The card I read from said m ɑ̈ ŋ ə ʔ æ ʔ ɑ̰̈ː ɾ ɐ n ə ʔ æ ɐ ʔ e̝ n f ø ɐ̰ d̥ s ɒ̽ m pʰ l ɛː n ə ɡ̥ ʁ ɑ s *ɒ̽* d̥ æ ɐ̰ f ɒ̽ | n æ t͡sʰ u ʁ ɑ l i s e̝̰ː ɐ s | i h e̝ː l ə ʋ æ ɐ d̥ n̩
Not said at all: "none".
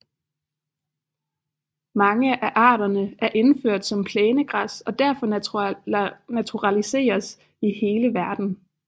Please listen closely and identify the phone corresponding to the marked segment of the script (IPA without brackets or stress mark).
ɒ̽